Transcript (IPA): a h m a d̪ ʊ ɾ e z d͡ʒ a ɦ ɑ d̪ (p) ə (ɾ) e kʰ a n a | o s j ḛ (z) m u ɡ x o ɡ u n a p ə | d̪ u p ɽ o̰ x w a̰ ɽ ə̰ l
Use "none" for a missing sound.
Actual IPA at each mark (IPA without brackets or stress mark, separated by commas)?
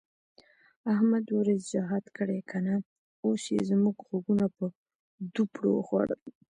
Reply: k, ɽ, z